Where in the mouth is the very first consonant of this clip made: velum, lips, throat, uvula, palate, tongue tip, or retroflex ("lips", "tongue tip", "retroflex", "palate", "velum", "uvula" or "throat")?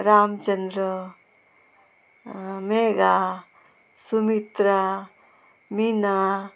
tongue tip